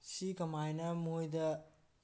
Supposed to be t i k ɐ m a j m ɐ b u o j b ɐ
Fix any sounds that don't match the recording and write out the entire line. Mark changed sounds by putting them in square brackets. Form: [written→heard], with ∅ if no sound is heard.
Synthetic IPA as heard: [t→s] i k ɐ m a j [m→n] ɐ [b→m] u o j [b→d] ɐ